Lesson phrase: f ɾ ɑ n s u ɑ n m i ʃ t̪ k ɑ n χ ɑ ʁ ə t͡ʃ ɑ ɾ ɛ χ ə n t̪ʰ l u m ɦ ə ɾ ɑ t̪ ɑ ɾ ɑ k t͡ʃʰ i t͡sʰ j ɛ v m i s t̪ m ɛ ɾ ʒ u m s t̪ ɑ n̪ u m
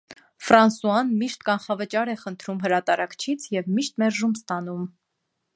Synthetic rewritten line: f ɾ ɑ n s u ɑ n m i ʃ t̪ k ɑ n χ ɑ v ə t͡ʃ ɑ ɾ ɛ χ ə n t̪ʰ ɾ u m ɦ ə ɾ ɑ t̪ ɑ ɾ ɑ k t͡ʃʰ i t͡sʰ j ɛ v m i ʃ t̪ m ɛ ɾ ʒ u m s t̪ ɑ n̪ u m